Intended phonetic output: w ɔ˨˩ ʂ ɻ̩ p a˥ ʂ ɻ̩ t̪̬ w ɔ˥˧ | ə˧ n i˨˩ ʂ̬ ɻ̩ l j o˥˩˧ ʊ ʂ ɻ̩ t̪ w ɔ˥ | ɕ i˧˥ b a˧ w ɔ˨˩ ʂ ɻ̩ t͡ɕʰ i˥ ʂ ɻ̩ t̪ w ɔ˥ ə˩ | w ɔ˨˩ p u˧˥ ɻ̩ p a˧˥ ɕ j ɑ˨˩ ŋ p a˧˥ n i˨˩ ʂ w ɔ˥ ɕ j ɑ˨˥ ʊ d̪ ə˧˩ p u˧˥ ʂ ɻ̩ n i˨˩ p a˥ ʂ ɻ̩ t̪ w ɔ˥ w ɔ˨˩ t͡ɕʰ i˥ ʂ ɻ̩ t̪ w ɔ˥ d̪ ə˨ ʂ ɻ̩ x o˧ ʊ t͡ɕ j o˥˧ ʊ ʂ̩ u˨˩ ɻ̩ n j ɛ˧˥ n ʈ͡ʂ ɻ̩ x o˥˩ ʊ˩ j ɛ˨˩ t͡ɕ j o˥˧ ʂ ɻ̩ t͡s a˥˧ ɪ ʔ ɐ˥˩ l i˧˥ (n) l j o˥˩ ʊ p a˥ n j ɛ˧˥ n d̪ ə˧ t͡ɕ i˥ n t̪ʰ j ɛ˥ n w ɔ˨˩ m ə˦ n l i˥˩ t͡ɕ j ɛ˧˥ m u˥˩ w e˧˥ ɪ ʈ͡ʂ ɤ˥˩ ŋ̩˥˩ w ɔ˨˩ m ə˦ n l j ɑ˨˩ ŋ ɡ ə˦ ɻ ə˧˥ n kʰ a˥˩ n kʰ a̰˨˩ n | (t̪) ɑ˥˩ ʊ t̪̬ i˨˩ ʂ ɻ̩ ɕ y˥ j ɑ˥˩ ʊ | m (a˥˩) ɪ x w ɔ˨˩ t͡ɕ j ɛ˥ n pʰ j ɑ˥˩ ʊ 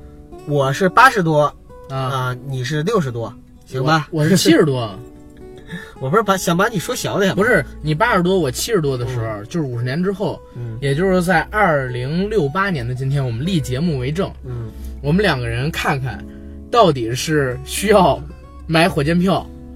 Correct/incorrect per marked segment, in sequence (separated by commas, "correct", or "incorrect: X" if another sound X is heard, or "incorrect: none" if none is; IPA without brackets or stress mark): incorrect: ŋ, correct, incorrect: a˧˥